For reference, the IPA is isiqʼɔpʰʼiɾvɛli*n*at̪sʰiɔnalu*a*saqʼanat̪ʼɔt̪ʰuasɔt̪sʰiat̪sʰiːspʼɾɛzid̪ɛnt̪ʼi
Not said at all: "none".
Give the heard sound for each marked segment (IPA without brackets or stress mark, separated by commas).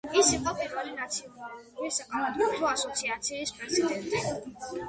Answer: n, i